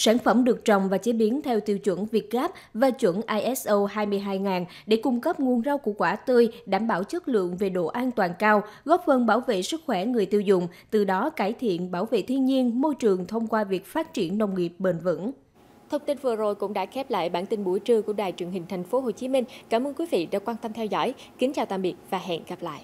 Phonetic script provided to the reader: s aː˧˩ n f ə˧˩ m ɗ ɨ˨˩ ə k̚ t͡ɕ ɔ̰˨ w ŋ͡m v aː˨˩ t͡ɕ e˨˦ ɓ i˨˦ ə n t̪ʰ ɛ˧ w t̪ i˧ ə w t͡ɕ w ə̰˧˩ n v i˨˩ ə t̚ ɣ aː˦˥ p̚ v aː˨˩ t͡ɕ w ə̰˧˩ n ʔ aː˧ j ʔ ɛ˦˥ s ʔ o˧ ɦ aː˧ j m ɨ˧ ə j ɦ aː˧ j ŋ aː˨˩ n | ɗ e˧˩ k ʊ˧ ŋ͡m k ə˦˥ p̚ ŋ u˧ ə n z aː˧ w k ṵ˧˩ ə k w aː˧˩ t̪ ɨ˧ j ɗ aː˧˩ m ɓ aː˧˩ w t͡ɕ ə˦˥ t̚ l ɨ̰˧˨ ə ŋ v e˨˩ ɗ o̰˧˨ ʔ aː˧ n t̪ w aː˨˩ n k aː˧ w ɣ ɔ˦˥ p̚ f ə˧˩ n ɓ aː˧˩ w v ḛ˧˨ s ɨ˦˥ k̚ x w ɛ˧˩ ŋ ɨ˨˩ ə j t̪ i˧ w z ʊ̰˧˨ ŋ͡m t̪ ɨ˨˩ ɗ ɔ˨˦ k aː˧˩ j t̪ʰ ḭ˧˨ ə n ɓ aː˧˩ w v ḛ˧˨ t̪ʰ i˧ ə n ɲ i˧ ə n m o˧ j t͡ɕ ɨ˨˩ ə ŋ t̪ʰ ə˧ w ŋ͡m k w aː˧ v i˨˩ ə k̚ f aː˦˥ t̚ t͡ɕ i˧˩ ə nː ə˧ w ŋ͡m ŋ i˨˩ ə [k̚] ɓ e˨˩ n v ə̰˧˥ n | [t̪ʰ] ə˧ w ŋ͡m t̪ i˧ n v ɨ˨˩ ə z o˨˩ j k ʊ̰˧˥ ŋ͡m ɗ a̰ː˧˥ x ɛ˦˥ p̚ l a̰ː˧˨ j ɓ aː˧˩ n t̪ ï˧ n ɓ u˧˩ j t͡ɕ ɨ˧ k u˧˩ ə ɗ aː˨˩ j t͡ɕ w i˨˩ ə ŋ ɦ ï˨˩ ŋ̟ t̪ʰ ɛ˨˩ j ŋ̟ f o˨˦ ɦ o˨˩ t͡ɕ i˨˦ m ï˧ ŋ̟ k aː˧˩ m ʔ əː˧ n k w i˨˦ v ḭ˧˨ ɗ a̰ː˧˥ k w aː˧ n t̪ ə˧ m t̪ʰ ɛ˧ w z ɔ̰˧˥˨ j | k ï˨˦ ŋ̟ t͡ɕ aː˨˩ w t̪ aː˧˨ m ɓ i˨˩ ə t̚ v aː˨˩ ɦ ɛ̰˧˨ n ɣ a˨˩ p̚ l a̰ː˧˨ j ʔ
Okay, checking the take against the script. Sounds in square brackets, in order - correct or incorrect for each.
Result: incorrect, correct

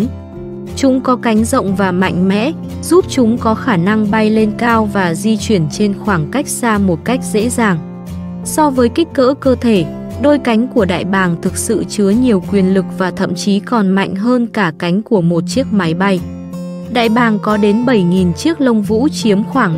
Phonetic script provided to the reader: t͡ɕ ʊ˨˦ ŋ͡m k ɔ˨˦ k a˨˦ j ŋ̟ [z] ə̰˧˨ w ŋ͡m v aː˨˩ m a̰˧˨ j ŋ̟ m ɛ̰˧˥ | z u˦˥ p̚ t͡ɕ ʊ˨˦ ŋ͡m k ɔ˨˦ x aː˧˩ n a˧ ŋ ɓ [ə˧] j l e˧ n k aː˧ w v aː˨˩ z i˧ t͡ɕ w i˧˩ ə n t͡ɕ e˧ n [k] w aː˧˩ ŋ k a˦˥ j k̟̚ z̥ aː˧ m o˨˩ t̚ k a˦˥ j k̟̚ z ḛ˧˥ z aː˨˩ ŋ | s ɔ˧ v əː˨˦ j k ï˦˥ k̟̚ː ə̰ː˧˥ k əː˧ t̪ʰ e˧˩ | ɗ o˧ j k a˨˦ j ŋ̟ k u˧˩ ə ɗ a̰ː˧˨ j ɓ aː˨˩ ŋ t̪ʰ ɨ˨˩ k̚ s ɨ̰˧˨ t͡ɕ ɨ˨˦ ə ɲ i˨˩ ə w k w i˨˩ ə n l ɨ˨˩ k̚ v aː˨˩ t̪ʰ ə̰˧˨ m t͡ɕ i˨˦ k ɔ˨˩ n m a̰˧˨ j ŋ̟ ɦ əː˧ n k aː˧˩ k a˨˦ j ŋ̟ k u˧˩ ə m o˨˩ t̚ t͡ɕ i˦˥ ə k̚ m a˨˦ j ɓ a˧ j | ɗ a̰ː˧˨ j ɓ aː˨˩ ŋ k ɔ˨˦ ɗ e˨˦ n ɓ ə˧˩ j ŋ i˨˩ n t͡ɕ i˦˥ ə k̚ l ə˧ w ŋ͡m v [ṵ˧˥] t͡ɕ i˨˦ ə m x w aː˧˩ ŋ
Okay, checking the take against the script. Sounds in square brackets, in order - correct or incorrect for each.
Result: correct, incorrect, incorrect, correct

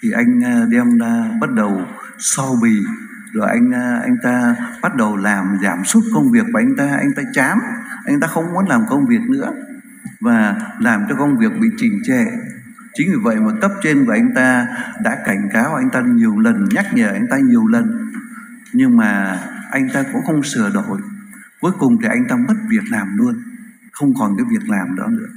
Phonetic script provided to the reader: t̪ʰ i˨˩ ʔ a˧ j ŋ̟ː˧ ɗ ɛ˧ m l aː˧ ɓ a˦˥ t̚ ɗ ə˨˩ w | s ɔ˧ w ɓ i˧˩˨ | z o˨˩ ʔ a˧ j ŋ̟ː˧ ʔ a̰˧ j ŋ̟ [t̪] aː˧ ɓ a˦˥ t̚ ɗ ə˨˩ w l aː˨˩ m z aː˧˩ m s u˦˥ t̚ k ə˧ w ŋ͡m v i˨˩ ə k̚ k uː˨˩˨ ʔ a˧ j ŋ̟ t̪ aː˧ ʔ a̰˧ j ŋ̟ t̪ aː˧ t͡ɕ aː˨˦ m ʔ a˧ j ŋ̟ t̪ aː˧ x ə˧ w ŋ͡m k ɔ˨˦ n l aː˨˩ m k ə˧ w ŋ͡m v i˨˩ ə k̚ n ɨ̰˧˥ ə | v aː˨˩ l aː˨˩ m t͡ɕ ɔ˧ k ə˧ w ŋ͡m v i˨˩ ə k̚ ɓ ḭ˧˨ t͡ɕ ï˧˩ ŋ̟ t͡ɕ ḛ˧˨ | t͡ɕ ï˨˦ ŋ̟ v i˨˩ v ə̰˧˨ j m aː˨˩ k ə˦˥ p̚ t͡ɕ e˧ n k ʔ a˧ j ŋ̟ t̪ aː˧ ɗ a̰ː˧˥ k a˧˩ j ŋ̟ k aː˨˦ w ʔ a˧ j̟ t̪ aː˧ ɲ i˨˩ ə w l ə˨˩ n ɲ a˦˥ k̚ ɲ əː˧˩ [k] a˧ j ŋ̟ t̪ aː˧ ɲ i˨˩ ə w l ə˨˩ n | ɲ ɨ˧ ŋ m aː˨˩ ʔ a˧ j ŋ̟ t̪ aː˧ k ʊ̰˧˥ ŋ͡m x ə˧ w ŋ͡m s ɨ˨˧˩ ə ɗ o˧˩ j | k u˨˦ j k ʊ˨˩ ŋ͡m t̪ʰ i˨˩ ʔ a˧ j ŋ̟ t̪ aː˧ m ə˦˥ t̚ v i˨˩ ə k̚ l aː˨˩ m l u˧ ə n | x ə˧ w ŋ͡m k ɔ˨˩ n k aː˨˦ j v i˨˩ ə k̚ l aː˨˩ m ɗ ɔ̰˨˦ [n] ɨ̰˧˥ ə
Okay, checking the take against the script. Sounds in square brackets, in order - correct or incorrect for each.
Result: correct, incorrect, correct

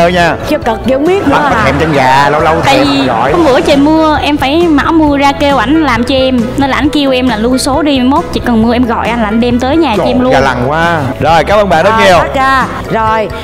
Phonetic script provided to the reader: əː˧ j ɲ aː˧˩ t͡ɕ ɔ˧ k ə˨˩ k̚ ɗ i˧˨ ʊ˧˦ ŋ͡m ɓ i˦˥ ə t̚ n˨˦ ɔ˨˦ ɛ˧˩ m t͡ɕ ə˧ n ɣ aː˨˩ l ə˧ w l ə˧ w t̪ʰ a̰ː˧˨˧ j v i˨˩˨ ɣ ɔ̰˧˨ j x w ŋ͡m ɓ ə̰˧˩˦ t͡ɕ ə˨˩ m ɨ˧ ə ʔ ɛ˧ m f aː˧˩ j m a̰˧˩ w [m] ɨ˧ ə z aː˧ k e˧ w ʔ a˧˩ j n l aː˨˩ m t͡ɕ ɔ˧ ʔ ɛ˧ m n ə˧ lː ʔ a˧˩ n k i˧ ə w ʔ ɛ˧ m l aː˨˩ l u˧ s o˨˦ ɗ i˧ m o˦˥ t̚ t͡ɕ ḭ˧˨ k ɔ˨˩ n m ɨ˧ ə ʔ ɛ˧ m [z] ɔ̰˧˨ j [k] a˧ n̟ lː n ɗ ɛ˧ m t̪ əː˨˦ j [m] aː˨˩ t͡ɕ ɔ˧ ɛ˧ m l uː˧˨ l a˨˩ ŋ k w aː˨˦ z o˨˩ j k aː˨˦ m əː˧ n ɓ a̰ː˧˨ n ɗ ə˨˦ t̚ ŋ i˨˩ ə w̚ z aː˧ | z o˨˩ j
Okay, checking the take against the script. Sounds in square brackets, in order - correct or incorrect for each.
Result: correct, incorrect, incorrect, incorrect

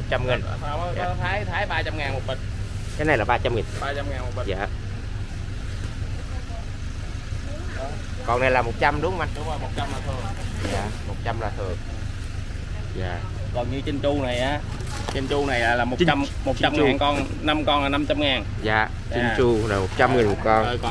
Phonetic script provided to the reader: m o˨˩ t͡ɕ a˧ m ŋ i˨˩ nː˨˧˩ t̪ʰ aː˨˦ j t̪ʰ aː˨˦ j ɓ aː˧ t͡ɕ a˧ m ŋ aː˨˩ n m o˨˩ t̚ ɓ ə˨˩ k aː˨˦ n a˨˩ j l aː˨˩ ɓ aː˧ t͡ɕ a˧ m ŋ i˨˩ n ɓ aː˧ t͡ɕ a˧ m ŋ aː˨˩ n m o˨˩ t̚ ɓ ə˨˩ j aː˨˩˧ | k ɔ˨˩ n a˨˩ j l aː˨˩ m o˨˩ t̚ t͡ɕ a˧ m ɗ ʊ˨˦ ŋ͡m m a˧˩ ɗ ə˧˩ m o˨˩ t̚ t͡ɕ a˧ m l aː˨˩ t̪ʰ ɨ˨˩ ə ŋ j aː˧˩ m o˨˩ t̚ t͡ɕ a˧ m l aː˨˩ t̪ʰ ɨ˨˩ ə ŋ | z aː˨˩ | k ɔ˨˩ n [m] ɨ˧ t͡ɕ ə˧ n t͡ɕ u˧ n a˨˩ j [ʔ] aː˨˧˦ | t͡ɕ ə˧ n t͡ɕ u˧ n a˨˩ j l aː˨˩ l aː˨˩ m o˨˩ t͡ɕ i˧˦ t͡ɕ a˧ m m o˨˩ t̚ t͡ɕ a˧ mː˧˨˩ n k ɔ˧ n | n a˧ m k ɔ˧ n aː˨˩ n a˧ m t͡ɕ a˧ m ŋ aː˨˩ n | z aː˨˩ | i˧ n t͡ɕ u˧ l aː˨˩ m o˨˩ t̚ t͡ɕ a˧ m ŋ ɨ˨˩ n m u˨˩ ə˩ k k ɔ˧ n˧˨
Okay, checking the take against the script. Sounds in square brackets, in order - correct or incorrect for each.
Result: incorrect, correct

